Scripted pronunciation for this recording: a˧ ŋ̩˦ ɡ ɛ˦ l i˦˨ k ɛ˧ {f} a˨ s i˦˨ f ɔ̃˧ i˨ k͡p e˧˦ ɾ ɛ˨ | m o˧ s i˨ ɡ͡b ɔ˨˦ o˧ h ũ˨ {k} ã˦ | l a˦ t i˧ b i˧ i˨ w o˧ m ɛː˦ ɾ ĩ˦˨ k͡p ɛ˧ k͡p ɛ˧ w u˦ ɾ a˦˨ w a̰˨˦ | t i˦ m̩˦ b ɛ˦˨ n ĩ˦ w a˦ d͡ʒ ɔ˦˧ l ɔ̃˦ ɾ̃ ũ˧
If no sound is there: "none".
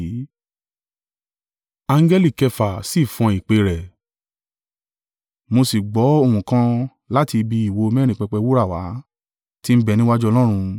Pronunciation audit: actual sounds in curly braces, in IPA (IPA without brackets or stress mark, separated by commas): f, k